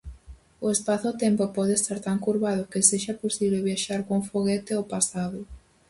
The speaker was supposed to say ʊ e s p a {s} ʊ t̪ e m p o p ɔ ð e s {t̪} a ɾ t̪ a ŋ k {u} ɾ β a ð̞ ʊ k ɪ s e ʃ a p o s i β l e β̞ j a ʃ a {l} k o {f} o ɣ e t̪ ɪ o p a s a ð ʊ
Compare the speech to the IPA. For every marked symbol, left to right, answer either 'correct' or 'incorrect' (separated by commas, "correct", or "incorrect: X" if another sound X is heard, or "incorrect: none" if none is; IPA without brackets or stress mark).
incorrect: θ, correct, correct, incorrect: ɾ, correct